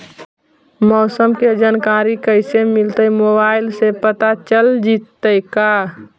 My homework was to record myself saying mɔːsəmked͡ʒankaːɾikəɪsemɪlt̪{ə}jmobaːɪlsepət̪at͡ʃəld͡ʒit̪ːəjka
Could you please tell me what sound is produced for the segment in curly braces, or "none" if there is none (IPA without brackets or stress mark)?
ə